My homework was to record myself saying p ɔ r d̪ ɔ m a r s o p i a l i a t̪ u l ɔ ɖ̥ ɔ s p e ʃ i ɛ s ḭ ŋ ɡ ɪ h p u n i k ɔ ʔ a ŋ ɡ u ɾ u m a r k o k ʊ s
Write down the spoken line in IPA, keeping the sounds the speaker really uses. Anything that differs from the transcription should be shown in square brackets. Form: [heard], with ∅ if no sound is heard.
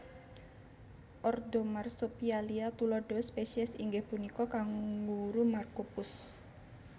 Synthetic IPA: [ʔ] ɔ r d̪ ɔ m a r s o p i a l i a t̪ u l ɔ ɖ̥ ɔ s p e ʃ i ɛ s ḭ ŋ ɡ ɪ h p u n i k ɔ [k] a ŋ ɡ u ɾ u m a r k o [p] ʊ s